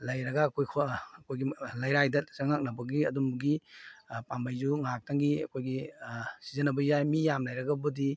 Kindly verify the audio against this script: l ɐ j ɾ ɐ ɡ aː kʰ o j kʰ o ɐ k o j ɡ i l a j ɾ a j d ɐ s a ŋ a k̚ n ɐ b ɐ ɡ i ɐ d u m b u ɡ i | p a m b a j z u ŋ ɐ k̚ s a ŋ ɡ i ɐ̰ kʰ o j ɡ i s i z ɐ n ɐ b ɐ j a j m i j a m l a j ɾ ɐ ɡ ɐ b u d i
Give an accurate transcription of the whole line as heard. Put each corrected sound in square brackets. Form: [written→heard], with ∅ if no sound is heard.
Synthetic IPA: l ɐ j ɾ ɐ ɡ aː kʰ o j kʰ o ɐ k o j ɡ i l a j ɾ a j d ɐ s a ŋ a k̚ n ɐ b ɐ ɡ i ɐ d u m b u ɡ i | p a m b a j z u ŋ [ɐ→a] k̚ [s→t] a ŋ ɡ i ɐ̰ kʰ o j ɡ i s i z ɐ n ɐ b ɐ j a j m i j a m l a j ɾ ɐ ɡ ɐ b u d i